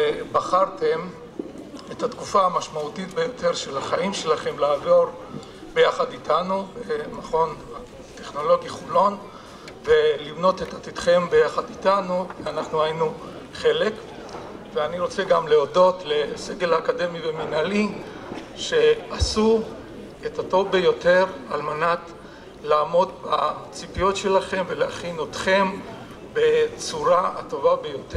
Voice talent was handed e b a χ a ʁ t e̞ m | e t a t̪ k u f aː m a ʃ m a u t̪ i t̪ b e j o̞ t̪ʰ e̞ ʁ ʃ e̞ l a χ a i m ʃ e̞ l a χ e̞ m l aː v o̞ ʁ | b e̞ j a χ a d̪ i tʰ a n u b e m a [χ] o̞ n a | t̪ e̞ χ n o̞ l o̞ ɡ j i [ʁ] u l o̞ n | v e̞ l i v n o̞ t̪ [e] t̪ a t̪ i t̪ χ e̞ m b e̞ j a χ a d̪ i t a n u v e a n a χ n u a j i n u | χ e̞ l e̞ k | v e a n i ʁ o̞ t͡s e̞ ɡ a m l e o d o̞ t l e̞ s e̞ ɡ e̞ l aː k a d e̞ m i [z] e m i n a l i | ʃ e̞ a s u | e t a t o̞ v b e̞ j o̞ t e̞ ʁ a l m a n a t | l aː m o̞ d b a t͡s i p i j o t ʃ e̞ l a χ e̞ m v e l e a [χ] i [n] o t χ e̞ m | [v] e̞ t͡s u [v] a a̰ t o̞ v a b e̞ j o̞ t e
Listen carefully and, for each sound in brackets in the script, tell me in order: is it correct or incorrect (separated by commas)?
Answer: correct, incorrect, correct, incorrect, correct, correct, incorrect, incorrect